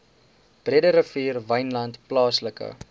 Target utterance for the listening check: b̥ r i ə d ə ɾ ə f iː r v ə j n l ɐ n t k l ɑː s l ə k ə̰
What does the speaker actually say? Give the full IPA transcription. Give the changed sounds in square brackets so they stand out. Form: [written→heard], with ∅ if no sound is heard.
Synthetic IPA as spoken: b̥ r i ə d ə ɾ ə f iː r v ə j n l ɐ n t [k→p] l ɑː s l ə k ə̰